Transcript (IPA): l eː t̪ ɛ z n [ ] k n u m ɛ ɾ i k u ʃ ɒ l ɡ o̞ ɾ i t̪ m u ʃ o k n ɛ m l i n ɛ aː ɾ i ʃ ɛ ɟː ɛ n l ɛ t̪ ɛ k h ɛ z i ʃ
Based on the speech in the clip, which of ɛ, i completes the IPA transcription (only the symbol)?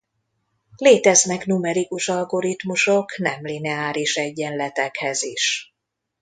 ɛ